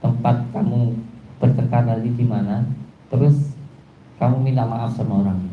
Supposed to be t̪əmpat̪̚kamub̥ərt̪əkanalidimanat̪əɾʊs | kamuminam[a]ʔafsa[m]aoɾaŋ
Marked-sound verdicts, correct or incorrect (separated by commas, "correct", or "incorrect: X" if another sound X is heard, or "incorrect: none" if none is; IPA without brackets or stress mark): correct, correct